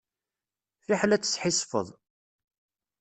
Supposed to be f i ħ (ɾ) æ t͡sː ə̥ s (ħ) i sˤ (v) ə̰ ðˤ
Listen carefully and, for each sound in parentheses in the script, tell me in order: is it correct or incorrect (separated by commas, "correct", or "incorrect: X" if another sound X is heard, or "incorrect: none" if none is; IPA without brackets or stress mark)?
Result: incorrect: l, correct, incorrect: f